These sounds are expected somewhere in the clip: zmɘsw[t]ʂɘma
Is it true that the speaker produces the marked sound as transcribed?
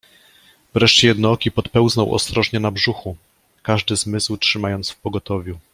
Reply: yes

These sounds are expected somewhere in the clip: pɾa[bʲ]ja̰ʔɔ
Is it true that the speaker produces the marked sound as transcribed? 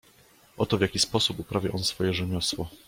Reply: no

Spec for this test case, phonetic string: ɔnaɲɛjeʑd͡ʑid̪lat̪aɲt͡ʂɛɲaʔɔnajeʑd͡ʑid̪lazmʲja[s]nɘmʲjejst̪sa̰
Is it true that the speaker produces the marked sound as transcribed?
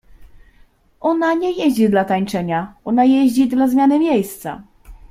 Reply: no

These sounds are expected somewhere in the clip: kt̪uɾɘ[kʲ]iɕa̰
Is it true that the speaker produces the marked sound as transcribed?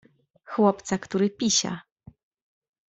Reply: no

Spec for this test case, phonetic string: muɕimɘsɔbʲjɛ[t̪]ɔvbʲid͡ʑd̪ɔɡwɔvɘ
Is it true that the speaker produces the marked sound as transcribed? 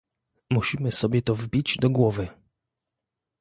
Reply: yes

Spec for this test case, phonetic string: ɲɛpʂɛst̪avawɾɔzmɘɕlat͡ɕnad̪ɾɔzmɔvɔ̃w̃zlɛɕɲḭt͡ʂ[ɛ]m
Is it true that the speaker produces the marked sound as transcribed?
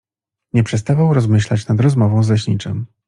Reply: yes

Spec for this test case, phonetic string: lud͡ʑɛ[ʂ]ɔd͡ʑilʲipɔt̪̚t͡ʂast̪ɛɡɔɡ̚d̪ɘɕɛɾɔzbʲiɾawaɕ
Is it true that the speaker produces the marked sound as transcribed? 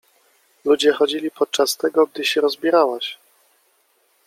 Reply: no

